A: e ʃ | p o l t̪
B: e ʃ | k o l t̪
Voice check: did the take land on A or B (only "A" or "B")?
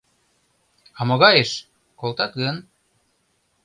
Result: B